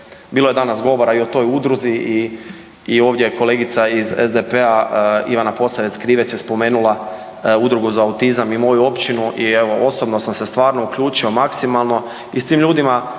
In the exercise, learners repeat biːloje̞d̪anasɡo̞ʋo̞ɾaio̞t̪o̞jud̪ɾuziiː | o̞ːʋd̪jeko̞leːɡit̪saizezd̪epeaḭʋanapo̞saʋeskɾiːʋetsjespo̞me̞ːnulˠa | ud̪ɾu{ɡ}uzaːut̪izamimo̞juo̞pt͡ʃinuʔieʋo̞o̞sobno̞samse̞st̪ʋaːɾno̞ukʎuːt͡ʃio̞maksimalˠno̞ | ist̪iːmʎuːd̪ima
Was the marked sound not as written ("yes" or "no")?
no